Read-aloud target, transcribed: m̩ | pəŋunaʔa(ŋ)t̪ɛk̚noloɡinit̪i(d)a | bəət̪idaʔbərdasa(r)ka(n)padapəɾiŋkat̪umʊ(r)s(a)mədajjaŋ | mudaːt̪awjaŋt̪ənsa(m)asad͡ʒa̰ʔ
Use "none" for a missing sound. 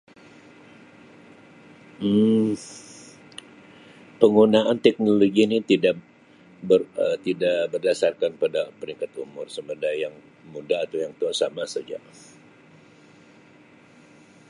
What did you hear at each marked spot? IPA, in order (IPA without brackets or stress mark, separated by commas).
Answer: n, d, r, n, r, ə, m